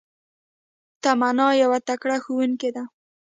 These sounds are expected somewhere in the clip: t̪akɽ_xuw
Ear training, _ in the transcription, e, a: a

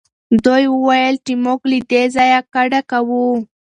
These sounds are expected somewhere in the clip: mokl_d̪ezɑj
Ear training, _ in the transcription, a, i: i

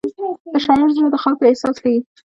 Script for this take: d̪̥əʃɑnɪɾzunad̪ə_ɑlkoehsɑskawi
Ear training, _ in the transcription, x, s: x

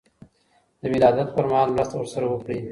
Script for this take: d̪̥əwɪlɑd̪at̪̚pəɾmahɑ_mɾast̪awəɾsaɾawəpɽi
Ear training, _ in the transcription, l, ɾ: l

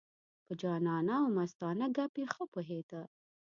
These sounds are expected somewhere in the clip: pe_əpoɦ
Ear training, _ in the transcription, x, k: x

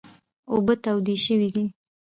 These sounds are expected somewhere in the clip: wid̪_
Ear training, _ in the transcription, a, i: i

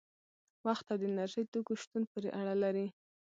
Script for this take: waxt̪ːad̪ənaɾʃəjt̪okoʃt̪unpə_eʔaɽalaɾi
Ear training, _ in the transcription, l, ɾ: ɾ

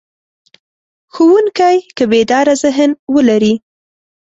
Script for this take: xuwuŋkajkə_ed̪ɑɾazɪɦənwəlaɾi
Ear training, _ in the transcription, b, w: b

